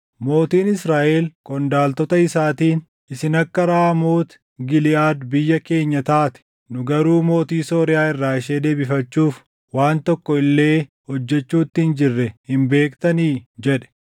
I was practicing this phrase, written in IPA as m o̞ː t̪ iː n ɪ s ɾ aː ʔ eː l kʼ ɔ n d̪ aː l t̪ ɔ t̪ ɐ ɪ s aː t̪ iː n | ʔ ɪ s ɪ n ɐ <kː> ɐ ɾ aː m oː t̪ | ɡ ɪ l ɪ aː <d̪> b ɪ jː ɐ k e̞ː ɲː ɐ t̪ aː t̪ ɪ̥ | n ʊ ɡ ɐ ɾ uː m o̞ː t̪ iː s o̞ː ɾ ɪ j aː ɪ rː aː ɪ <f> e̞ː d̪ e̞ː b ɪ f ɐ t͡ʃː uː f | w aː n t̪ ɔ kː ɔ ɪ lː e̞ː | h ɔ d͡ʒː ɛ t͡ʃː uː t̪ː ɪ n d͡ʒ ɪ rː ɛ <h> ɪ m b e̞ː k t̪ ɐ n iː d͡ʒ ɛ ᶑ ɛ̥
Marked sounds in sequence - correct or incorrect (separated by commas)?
correct, correct, incorrect, correct